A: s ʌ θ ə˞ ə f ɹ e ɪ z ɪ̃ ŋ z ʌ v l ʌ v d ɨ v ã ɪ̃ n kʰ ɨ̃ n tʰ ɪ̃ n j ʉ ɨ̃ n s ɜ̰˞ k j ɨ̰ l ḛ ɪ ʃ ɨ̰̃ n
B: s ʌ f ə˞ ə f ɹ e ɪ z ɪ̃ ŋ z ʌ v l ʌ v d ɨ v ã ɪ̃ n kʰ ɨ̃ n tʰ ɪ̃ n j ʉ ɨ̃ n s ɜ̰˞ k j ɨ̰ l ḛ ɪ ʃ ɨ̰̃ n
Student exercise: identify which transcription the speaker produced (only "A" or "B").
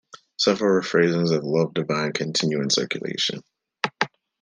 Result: B